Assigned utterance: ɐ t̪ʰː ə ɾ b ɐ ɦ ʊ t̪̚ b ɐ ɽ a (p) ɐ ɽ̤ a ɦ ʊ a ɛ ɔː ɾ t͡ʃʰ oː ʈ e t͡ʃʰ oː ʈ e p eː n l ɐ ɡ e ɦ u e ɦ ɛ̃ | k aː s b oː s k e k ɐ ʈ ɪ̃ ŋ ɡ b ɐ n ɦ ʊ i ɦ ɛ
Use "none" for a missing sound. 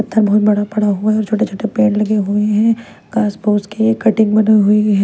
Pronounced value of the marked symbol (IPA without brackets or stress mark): p